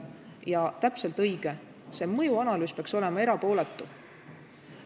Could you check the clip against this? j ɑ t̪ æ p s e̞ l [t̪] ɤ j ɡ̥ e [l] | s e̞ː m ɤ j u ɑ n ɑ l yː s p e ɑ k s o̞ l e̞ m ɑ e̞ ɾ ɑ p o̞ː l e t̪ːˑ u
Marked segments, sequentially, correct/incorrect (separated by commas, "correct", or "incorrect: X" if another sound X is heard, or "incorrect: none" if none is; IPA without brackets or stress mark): correct, incorrect: none